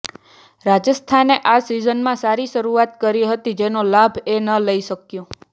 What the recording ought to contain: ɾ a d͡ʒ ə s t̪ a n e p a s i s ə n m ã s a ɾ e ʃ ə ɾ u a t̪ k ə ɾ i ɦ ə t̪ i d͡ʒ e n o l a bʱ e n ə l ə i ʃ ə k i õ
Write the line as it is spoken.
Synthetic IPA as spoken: ɾ a d͡ʒ ə s t̪ʰ a n e ʔ a s i z ə n m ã s a ɾ i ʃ ə ɾ u a t̪ k ə ɾ i ɦ ə t̪ i d͡ʒ e n o l a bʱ e n ə l ə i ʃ ə k j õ